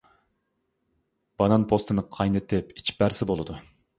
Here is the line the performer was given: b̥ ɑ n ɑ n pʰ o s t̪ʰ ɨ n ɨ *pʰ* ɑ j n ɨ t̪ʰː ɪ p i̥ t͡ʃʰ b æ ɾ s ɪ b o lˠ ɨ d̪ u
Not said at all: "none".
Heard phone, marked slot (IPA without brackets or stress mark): qʰ